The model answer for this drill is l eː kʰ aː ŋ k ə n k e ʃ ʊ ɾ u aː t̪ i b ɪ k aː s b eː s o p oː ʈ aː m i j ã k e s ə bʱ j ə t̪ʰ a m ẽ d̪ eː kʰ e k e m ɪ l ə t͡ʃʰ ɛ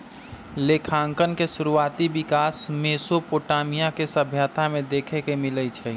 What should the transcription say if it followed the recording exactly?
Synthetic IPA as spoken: l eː kʰ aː ŋ k ə n k e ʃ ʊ ɾ u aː t̪ i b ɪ k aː s m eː s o p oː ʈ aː m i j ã k e s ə bʱ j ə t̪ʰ a m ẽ d̪ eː kʰ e k e m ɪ l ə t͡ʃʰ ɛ